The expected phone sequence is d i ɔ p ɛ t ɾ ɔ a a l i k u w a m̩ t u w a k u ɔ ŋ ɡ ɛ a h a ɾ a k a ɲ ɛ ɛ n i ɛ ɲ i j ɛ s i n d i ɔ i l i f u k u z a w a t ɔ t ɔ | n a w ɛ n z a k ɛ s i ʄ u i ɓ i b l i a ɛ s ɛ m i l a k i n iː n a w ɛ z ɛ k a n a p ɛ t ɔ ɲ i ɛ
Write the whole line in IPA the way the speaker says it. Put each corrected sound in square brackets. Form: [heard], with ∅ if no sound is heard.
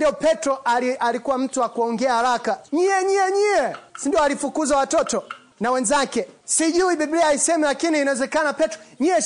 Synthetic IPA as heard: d i ɔ p ɛ t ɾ ɔ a a l i k u w a m̩ t u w a k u ɔ ŋ ɡ ɛ a h a ɾ a k a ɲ [i] ɛ [ɲ] i ɛ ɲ i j ɛ s i n d i ɔ [a] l i f u k u z a w a t ɔ t ɔ | n a w ɛ n z a k ɛ s i ʄ u i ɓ i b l i a [i] s ɛ m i l a k i n iː n a w ɛ z ɛ k a n a p ɛ t ɔ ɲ i ɛ